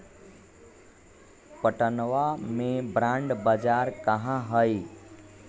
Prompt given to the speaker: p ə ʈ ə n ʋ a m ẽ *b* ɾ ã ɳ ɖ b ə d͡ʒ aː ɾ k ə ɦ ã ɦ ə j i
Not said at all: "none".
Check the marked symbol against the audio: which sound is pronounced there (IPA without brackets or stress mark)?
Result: b